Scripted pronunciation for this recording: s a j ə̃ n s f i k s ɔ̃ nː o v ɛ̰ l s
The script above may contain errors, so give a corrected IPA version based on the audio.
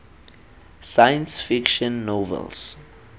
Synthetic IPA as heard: s a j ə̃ n s f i k ʃ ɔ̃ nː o v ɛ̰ l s